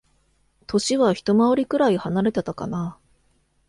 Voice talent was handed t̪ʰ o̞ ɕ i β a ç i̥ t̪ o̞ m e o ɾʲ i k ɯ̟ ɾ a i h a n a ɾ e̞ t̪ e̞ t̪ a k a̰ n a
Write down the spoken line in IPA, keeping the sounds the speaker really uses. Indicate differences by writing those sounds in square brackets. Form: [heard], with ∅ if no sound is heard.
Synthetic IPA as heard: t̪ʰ o̞ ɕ i β a ç i̥ t̪ o̞ m [a] o ɾʲ i k ɯ̟ ɾ a i h a n a ɾ e̞ t̪ e̞ t̪ a k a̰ n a